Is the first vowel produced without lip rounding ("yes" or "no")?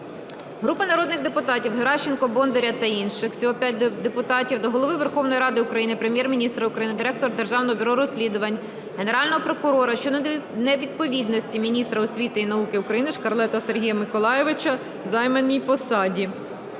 no